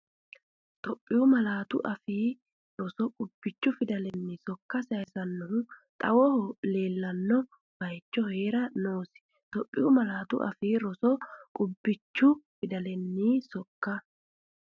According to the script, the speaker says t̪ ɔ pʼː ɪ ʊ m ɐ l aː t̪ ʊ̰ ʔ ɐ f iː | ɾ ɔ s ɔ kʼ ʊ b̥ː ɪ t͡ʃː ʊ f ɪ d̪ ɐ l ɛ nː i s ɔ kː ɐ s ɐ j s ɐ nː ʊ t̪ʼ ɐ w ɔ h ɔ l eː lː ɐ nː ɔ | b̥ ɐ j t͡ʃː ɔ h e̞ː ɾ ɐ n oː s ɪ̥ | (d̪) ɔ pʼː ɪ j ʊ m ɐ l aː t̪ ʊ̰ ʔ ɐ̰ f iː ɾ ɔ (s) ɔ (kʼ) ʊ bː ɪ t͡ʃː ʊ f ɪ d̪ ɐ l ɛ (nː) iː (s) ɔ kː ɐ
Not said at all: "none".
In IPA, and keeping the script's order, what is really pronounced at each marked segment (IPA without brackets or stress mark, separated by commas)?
t̪, s, kʼ, nː, s